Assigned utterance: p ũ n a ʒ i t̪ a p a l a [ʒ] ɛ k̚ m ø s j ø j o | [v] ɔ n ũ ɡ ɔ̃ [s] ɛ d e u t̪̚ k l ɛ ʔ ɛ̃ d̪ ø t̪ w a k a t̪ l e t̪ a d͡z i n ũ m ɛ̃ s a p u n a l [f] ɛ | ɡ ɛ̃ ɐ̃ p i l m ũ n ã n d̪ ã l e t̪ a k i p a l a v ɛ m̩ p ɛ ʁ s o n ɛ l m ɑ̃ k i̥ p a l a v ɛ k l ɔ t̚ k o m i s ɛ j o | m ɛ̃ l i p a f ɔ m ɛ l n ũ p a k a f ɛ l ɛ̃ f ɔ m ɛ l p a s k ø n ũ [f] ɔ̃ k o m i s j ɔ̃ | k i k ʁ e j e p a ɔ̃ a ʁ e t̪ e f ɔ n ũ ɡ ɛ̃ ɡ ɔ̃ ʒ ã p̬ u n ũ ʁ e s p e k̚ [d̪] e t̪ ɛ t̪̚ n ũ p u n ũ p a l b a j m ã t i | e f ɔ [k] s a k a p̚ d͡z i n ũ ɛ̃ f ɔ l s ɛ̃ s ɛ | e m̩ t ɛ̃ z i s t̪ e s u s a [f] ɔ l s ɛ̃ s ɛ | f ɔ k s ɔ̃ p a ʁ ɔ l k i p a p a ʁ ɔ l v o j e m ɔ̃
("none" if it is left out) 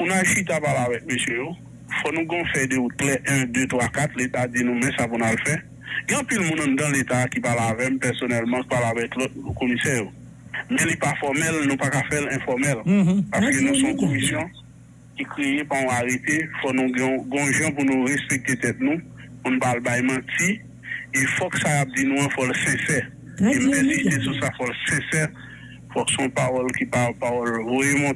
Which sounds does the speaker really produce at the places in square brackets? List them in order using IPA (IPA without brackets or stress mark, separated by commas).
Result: v, f, f, f, s, t̪, k, f